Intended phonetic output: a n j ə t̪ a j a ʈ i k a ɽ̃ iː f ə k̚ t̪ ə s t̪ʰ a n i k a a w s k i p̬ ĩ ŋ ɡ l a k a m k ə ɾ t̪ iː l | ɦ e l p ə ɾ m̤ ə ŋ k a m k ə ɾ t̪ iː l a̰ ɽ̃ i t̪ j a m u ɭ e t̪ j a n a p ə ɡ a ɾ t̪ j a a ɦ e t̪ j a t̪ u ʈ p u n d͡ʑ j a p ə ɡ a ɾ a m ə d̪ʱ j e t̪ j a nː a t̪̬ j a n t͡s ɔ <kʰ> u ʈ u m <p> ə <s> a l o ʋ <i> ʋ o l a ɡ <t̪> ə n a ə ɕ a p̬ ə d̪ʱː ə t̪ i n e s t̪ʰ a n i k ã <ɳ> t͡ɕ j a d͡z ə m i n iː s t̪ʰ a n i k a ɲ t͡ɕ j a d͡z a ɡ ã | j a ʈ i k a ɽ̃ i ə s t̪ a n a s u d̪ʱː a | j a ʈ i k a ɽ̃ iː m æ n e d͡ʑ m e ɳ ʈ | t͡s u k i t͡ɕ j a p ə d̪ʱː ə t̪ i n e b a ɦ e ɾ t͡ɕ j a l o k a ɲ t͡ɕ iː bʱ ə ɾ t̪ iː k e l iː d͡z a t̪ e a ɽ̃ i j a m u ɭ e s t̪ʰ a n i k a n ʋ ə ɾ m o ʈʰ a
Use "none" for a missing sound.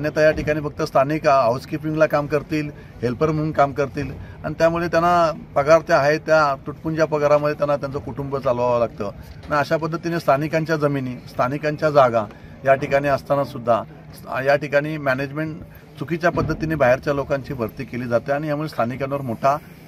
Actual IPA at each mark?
k, b, t͡s, a, t̪, ɲ

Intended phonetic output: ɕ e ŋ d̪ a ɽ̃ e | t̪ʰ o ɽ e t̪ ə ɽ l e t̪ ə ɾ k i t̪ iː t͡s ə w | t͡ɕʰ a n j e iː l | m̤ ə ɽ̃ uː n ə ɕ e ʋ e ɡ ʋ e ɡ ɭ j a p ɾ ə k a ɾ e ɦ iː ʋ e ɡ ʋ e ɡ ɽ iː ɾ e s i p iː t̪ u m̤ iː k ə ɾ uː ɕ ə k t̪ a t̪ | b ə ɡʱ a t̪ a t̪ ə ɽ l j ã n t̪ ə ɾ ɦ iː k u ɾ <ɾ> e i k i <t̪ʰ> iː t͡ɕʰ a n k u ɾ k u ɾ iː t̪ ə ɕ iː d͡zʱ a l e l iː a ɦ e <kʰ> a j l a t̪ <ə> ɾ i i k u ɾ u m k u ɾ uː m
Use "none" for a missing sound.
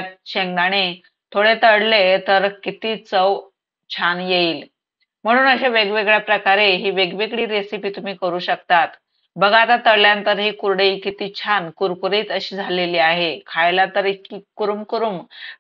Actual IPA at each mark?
ɽ, t̪, kʰ, ə

